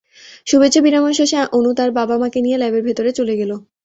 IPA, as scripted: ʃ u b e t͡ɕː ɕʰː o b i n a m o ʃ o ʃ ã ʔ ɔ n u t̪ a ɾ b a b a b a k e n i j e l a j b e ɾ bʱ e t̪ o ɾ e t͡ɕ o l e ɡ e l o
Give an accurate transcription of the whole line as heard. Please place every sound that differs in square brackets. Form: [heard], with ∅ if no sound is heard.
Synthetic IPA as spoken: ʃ u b e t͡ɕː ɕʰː o b i n a m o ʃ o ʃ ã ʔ [o] n u t̪ a ɾ b a b a [m] a k e n i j e l a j b e ɾ bʱ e t̪ o ɾ e t͡ɕ o l e ɡ e l o